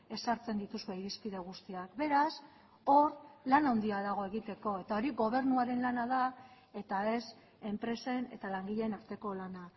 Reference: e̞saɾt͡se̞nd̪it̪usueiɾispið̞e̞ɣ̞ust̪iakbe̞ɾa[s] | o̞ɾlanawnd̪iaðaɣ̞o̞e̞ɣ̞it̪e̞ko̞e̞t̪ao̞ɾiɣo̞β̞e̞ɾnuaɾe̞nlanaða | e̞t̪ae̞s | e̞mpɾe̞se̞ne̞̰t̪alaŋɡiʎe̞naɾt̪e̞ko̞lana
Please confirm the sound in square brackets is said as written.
yes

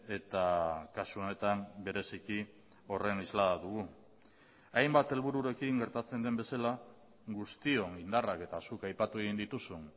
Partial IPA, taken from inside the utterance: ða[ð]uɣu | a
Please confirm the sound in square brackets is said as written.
yes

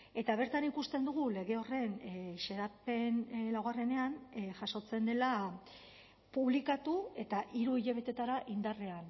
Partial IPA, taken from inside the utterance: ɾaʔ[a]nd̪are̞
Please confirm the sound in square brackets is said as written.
no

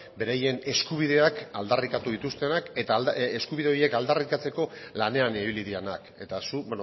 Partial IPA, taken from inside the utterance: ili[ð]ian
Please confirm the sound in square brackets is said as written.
yes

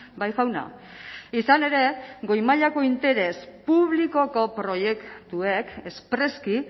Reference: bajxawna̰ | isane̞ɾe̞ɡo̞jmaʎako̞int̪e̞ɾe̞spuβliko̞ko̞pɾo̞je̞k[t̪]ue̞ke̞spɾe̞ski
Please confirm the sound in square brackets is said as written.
yes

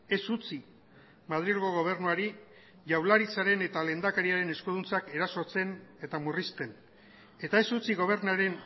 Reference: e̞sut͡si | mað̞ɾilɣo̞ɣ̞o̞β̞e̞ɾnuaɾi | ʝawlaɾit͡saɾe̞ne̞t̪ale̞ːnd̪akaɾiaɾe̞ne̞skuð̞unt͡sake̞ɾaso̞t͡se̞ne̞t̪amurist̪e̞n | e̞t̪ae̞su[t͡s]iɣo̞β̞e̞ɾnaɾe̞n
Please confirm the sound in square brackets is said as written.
yes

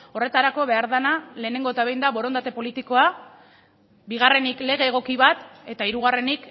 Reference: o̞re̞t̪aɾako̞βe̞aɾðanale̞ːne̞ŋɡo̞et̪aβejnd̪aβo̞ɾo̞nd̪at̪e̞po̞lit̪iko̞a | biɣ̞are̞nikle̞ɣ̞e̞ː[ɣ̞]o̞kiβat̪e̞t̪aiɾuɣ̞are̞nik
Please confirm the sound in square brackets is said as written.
yes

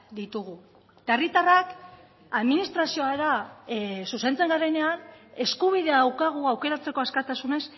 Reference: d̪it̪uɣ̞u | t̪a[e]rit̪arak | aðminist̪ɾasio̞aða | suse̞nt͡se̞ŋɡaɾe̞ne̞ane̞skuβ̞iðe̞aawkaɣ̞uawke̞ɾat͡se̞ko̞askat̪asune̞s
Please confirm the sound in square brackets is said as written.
yes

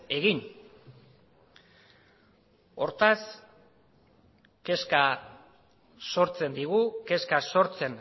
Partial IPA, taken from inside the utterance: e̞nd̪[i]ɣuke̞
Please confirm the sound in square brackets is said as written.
yes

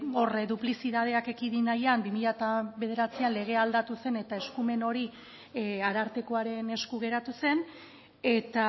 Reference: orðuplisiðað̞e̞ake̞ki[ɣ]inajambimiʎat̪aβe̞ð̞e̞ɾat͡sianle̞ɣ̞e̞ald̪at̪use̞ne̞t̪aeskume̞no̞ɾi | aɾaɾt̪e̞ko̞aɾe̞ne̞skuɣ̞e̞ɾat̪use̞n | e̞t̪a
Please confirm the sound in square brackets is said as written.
no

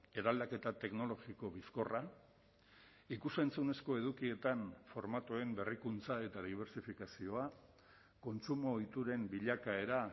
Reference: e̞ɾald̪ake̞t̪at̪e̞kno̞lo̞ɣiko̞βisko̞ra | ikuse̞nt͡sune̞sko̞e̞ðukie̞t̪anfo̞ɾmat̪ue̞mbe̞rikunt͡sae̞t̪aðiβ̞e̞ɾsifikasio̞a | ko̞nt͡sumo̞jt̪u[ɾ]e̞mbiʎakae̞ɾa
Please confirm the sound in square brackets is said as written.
yes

